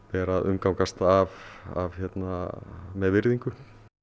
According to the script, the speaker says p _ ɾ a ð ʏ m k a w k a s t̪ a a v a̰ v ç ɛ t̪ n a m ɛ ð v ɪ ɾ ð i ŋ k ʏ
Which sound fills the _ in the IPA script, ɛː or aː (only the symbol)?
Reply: ɛː